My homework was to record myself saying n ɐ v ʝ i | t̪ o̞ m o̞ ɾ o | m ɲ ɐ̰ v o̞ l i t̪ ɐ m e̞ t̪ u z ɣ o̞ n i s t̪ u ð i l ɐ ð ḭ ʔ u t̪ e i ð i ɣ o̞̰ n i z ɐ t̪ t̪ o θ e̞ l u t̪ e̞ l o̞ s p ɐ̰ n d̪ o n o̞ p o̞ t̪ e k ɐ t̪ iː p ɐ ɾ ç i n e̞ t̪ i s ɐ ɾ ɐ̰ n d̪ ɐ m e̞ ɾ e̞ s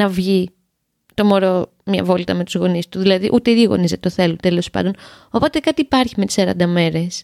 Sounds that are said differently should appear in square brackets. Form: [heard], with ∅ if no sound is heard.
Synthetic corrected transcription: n ɐ v ʝ i | t̪ o̞ m o̞ ɾ o | m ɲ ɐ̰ v o̞ l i t̪ ɐ m e̞ t̪ u z ɣ o̞ n i s t̪ u ð i l ɐ ð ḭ ʔ u t̪ e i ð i ɣ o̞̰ n i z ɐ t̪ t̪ o θ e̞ l u t̪ e̞ l o̞ s p ɐ̰ n d̪ o n o̞ p o̞ t̪ e k ɐ t̪ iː p ɐ ɾ ç i [m] e̞ t̪ i s ɐ ɾ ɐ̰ n d̪ ɐ m e̞ ɾ e̞ s